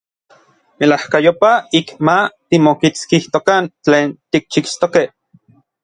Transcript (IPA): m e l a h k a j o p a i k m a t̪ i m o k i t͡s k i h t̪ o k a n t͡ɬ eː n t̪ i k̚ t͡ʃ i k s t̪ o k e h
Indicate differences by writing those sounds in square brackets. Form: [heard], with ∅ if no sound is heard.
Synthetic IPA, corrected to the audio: m e l a h k a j o p a i k m a t̪ i m o k i t͡s k i h t̪ o k a n t͡ɬ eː n t̪ i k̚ t͡ʃ i k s t̪ o k e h